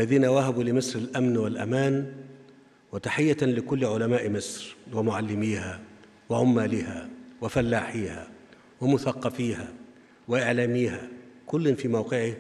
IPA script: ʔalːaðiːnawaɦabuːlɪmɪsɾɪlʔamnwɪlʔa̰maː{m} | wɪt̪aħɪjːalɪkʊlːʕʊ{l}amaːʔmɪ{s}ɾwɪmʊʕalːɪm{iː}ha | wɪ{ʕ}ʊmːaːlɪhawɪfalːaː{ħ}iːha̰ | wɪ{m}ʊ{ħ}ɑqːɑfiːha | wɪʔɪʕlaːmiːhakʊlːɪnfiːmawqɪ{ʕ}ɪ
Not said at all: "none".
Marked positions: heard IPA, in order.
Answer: n, l, s, iː, ʕ, ħ, m, θ, ʕ

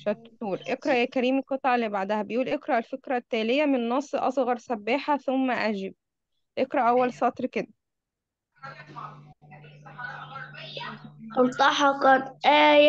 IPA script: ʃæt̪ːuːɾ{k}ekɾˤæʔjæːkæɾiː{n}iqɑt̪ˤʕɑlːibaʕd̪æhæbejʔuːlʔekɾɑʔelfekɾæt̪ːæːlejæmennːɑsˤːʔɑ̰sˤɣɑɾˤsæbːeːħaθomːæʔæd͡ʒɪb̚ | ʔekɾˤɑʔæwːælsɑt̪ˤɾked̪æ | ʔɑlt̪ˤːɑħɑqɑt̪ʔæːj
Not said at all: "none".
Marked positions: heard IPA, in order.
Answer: ʔ, m

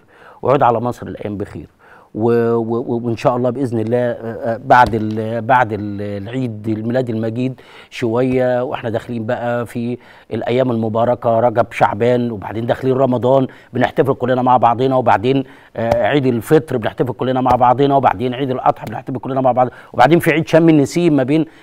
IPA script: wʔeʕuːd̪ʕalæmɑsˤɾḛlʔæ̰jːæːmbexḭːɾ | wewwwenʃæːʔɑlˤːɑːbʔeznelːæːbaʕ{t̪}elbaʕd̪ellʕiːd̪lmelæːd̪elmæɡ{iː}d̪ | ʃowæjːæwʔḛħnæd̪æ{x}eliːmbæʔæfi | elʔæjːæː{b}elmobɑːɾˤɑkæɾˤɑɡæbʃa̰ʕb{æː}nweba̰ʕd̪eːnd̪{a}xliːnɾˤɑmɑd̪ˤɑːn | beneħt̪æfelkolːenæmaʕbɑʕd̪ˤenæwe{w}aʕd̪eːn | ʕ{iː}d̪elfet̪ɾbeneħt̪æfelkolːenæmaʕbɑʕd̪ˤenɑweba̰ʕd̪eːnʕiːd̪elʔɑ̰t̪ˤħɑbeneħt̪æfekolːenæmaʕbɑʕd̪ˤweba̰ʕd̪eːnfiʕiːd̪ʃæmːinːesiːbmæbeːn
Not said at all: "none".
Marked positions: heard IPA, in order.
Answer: d̪, iː, x, m, æː, æ, b, iː

